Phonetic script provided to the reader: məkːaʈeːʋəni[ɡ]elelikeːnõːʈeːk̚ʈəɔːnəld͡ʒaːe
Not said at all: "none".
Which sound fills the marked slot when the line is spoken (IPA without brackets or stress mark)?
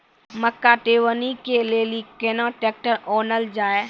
k